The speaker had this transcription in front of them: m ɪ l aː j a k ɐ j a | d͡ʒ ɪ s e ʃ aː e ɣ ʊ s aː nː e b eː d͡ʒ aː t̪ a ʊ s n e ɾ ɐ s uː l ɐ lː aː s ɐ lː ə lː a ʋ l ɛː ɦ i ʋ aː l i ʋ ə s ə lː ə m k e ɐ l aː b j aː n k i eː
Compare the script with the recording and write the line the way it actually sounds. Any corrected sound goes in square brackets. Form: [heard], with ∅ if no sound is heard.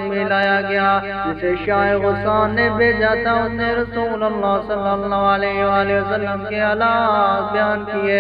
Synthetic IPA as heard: m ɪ l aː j a [ɡ] ɐ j a | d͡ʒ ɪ s e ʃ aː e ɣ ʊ s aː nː e b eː d͡ʒ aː t̪ a ʊ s n e ɾ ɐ s uː l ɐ lː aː s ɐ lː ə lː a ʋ l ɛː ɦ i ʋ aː l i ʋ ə s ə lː ə m k e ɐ l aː b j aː n k i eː

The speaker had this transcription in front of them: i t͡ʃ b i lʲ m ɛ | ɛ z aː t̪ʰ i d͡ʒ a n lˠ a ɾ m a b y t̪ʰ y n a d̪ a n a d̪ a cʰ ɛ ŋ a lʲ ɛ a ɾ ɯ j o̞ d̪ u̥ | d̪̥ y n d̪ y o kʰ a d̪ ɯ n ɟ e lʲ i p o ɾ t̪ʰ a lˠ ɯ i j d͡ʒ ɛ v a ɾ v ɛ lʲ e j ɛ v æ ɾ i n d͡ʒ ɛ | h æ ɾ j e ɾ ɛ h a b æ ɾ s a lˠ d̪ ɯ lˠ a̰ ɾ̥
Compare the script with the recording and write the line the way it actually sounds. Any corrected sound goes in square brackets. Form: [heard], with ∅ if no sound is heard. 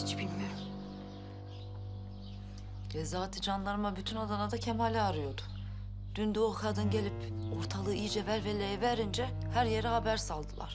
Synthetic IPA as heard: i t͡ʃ b i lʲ m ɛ | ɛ z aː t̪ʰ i d͡ʒ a n lˠ a ɾ m a b y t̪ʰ y n a d̪ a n a d̪ a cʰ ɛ [m] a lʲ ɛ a ɾ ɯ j o̞ d̪ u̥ | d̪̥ y n d̪ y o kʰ a d̪ ɯ n ɟ e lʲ i p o ɾ t̪ʰ a lˠ ɯ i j d͡ʒ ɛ v [æ] ɾ v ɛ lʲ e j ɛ v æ ɾ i n d͡ʒ ɛ | h æ ɾ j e ɾ ɛ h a b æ ɾ s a lˠ d̪ ɯ lˠ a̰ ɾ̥

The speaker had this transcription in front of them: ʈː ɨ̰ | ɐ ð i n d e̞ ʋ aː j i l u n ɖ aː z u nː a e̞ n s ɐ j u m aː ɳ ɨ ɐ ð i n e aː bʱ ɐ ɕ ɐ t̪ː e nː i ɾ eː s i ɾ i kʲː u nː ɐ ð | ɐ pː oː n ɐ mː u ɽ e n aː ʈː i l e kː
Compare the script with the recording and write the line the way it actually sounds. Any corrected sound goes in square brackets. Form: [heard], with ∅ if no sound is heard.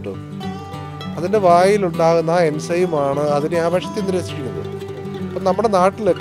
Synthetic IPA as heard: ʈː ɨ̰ | ɐ ð i n d e̞ ʋ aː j i l u [ɳ] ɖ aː [ɣ] u nː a e̞ n s ɐ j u m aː ɳ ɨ ɐ ð i n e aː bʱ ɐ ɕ ɐ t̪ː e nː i ɾ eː s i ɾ i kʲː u nː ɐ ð | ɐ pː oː n ɐ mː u ɽ e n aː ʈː i l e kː

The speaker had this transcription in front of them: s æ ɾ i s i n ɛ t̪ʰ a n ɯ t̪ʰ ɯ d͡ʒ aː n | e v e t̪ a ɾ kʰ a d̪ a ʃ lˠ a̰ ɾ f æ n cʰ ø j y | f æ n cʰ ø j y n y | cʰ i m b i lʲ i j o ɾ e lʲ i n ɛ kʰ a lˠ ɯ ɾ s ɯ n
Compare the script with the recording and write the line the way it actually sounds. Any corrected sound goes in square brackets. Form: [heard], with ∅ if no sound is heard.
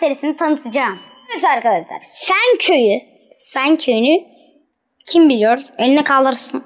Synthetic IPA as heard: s [e] ɾ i s i n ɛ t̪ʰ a n ɯ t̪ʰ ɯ d͡ʒ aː [m] | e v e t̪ a ɾ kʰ a d̪ a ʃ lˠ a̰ ɾ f æ n cʰ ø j y | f æ n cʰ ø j y n y | cʰ i m b i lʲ i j o ɾ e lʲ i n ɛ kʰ a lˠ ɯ ɾ s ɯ n

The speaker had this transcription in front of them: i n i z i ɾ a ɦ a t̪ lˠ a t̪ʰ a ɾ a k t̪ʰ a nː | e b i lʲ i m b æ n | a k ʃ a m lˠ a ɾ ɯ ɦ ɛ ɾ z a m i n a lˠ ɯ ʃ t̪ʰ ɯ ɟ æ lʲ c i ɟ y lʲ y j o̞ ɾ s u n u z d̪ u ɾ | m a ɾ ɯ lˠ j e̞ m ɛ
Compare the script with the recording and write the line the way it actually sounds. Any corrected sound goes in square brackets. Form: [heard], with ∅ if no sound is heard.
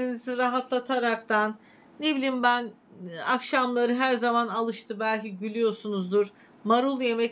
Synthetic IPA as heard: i n i z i ɾ a ɦ a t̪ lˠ a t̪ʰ a ɾ a k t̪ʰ a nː | e b i lʲ i m b æ n | a k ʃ a m lˠ a ɾ ɯ ɦ [æ] ɾ z a m [a] n a lˠ ɯ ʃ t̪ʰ ɯ [b] æ lʲ c i ɟ y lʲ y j o̞ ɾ s u n u z d̪ u ɾ | m a ɾ [u] lˠ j e̞ m ɛ

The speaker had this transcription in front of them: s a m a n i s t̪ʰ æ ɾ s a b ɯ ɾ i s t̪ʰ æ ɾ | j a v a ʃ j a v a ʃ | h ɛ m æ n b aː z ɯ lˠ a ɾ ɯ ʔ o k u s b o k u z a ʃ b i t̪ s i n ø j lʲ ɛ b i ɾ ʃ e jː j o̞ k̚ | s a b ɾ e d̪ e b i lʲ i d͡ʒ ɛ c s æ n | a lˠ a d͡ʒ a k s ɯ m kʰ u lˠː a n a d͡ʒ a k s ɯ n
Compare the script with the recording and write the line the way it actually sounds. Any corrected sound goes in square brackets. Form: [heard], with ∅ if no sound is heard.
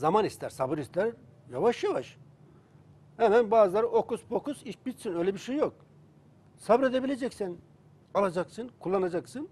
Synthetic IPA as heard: [z] a m a n i s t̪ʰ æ ɾ s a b ɯ ɾ i s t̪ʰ æ ɾ | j a v a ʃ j a v a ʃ | h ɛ m æ n b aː z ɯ lˠ a ɾ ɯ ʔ o k u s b o k u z [i] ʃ b i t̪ s i n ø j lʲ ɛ b i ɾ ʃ e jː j o̞ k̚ | s a b ɾ e d̪ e b i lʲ [e] d͡ʒ ɛ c s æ n | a lˠ a d͡ʒ a k s ɯ [n] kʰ u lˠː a n a d͡ʒ a k s ɯ n

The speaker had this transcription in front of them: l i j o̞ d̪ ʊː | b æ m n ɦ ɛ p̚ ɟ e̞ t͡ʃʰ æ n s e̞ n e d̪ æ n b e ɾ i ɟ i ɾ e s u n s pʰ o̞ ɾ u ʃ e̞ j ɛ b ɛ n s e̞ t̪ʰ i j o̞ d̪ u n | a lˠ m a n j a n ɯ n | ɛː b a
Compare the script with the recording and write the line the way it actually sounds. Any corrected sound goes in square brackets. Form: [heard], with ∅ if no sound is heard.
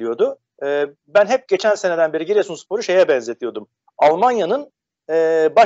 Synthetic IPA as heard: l i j o̞ d̪ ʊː | b æ [∅] n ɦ ɛ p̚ ɟ e̞ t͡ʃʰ æ n s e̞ n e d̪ æ n b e ɾ i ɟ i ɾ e s u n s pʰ o̞ ɾ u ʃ e̞ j ɛ b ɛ n [z] e̞ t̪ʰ i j o̞ d̪ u [m] | a lˠ m a n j a n ɯ n | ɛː b a

